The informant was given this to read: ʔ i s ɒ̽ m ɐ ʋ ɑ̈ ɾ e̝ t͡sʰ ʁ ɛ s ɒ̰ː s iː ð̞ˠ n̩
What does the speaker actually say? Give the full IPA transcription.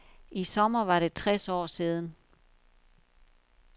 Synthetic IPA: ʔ i s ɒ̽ m ɐ ʋ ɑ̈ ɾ e̝ t͡sʰ ʁ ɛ s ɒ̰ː s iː ð̞ˠ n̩

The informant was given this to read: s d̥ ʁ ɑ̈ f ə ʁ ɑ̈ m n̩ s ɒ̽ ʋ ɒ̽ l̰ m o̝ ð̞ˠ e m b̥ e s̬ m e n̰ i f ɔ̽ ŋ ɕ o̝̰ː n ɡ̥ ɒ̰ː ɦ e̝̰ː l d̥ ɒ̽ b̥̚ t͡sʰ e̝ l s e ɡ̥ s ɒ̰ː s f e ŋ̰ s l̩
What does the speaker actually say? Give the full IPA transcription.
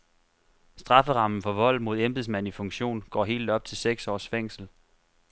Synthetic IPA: s d̥ ʁ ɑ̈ f ə ʁ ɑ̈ m n̩ f ɒ̽ ʋ ɒ̽ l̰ m o̝ ð̞ˠ e m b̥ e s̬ m æ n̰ i f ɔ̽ ŋ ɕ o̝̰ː n ɡ̥ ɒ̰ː ɦ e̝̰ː l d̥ ɒ̽ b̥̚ t͡sʰ e̝ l s e ɡ̥ s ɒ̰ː s f e ŋ̰ s l̩

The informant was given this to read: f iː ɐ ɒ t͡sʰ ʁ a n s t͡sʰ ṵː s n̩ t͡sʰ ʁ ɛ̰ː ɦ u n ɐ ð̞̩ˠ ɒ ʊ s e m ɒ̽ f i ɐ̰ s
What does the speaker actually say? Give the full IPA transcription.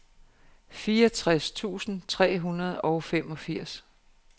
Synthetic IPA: f iː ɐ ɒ t͡sʰ ʁ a s t͡sʰ ṵː s n̩ t͡sʰ ʁ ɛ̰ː ɦ u n ɐ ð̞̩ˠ ɒ ʊ f e m ɒ̽ f i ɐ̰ s

